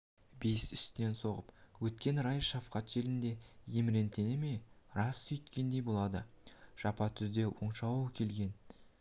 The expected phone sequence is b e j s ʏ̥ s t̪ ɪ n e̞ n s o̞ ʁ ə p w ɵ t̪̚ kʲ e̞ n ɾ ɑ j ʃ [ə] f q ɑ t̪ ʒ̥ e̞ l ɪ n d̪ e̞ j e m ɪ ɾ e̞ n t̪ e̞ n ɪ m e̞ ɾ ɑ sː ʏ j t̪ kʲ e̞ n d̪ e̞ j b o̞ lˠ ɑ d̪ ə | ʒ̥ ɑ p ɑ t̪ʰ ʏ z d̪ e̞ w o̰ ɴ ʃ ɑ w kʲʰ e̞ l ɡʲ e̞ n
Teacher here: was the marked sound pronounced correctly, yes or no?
no